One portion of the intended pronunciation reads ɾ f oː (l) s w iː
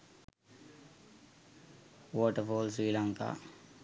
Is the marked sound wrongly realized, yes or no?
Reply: no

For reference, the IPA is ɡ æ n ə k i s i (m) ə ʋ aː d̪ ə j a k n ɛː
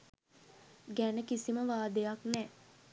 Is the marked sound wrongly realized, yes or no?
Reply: no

